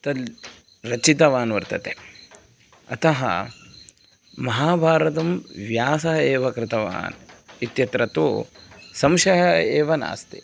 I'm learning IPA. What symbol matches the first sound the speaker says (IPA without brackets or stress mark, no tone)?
t̪